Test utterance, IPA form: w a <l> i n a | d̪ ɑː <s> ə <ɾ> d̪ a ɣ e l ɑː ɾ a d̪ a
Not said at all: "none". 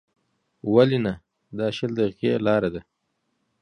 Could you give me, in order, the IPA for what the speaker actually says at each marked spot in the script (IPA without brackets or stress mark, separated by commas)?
l, ʃ, l